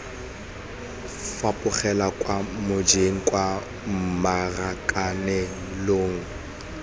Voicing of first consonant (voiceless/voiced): voiceless